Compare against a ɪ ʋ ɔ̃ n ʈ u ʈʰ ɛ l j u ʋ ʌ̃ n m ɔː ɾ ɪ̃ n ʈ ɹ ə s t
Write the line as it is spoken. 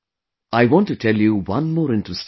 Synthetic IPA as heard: a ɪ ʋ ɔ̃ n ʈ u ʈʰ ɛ l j u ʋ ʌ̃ n m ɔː ɾ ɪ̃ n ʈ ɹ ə s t